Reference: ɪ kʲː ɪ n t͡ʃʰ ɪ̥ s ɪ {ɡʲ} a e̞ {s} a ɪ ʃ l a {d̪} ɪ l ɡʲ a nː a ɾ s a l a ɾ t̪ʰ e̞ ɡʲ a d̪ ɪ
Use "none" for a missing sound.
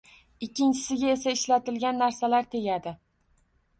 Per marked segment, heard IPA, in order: ɡʲ, s, t̪

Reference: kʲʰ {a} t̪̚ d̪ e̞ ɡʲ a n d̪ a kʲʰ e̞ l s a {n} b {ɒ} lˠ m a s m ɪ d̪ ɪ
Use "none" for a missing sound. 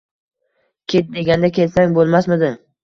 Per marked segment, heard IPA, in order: e, ŋ, o

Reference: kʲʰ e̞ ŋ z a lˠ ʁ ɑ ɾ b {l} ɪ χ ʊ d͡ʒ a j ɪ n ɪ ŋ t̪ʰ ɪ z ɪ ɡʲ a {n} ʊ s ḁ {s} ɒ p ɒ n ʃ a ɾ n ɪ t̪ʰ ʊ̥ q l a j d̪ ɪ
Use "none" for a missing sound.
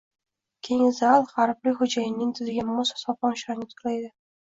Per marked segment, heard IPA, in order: l, m, s

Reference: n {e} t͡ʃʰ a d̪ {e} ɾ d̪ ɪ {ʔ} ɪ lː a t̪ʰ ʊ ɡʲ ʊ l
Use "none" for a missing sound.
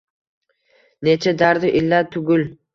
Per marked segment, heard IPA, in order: e, a, ʔ

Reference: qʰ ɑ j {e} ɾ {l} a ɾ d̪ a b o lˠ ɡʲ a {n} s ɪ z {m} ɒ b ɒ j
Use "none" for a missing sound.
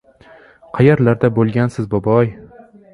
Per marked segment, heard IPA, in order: a, l, n, b

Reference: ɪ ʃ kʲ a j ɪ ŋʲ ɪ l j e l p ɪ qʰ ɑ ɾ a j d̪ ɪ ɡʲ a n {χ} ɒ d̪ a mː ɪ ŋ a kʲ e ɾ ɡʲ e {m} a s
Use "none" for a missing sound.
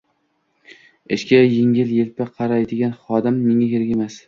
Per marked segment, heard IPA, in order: χ, m

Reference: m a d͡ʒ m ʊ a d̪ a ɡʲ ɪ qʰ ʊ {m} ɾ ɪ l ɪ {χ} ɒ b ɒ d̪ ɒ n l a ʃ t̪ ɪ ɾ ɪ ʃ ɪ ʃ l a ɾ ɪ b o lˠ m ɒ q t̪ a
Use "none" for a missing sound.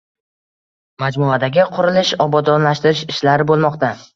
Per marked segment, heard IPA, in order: none, ʃ

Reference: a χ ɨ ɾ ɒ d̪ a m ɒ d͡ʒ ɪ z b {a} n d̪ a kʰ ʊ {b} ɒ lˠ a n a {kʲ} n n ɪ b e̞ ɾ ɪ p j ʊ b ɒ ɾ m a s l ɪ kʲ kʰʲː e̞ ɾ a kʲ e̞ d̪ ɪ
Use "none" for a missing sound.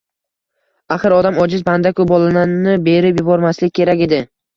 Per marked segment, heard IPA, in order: a, b, none

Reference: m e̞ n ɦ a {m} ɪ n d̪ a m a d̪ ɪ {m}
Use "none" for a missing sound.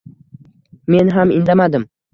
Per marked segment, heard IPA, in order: m, m

